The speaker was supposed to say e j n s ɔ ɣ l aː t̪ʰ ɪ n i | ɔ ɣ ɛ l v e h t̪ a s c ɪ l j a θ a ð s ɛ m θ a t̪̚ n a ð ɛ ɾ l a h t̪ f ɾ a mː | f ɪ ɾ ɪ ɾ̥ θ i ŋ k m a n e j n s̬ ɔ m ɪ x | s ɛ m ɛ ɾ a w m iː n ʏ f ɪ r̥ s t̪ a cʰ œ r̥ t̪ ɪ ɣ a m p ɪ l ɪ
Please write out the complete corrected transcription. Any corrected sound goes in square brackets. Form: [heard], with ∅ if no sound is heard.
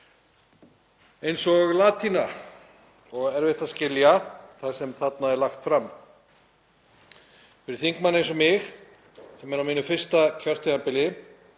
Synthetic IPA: e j n s ɔ ɣ l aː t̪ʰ [i] n [a] | ɔ ɣ ɛ [ɾ] v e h t̪ a s c ɪ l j a θ a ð s ɛ m θ a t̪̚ n a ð ɛ ɾ l a [x] t̪ f ɾ a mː | f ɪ ɾ ɪ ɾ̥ θ i ŋ k m a n e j n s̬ ɔ m ɪ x | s ɛ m ɛ ɾ a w m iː n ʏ f ɪ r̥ s t̪ a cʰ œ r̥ t̪ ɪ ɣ a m p ɪ l ɪ